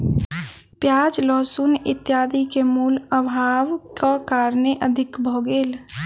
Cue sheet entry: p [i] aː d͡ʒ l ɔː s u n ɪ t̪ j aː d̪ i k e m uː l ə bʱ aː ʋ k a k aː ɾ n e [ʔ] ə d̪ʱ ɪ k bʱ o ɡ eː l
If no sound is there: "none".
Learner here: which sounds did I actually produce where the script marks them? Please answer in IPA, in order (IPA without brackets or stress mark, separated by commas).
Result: j, ʔ